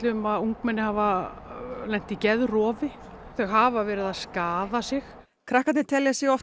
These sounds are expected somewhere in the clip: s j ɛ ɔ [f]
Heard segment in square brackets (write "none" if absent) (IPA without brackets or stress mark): f